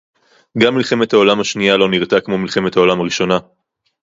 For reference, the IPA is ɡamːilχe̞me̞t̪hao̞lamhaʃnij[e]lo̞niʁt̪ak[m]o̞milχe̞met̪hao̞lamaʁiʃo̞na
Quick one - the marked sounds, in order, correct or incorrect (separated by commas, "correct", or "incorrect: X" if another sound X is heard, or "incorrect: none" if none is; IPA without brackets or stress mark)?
incorrect: a, correct